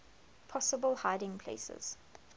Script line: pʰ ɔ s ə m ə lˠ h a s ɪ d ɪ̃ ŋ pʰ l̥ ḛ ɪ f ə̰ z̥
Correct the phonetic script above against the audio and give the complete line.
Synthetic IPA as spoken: pʰ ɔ s ə b ə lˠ h a ɪ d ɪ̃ ŋ pʰ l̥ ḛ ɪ s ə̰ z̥